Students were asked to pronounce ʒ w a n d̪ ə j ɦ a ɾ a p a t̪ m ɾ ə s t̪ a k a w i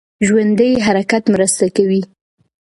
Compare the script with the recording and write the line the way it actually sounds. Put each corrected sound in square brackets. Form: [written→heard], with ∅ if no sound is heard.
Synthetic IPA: ʒ w a n d̪ ə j ɦ a ɾ a [p→k] a t̪ m ɾ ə s t̪ a k a w i

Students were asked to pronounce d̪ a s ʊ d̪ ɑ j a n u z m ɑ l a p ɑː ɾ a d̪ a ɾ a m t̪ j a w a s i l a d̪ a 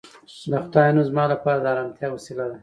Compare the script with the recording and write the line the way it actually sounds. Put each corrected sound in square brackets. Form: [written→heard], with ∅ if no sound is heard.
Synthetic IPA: d̪ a [s→x] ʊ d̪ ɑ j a n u z m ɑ l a p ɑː ɾ a d̪ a ɾ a m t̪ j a w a s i l a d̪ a

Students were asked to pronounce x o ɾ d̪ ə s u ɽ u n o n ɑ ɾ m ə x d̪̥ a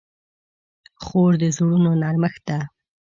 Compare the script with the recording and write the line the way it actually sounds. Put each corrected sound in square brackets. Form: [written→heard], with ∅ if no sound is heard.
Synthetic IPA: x o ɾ d̪ ə [s→z] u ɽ u n o n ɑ ɾ m ə x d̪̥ a

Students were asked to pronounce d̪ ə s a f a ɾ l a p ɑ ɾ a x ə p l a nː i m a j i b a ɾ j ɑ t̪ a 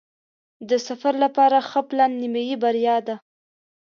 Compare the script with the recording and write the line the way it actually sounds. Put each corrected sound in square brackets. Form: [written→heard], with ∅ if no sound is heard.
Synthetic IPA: d̪ ə s a f a ɾ l a p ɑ ɾ a x ə p l a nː i m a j i b a ɾ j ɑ [t̪→d̪] a

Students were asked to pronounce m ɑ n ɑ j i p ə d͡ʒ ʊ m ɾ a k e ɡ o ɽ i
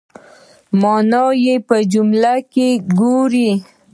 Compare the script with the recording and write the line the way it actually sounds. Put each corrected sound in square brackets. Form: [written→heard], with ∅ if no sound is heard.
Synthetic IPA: m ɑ n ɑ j [i→e] p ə d͡ʒ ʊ m [ɾ→l] a k e ɡ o [ɽ→ɾ] i

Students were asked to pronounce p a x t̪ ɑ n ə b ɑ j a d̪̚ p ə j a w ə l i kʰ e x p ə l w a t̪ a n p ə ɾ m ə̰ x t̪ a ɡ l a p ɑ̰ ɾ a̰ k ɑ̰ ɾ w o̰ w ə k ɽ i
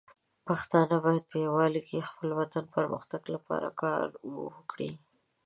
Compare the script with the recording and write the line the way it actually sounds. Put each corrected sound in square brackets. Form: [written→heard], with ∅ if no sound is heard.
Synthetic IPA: p a x t̪ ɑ n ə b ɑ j a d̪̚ p ə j a w [ə→ɑ] l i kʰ e x p ə l w a t̪ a n p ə ɾ m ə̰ x t̪ a ɡ l a p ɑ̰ ɾ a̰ k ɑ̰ ɾ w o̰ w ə k ɽ i

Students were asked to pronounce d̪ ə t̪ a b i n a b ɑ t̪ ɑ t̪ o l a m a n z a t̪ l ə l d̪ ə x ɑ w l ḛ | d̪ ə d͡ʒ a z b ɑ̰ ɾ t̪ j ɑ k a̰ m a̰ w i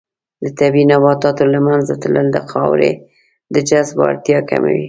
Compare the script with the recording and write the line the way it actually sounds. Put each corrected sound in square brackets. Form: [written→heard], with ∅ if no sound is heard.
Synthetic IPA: d̪ ə t̪ a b i n a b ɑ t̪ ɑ t̪ o l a m a n z a t̪ l ə l d̪ ə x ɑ w [l→ɾ] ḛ | d̪ ə d͡ʒ a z b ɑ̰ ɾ t̪ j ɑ k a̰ m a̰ w i

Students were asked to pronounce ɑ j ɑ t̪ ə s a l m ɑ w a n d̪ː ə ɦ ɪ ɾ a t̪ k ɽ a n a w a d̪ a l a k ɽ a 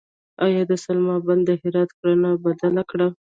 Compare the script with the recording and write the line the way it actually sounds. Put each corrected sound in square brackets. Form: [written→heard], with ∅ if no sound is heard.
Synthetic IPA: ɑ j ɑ [t̪→d̪] ə s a l m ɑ [w→b] a n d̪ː ə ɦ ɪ ɾ [a→ɑ] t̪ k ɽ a n a [w→b] a d̪ a l a k ɽ a

